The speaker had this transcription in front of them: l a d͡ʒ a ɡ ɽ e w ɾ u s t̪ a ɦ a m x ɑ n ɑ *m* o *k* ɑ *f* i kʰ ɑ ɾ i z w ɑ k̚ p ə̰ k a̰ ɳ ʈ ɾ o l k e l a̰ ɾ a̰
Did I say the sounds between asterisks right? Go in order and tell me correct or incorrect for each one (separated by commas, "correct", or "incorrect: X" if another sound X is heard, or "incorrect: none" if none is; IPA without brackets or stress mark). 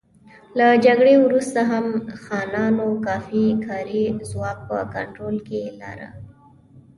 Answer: incorrect: n, correct, correct